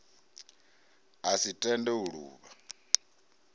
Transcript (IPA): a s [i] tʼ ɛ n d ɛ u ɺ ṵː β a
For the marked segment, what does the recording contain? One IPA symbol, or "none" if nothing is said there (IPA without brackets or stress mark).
i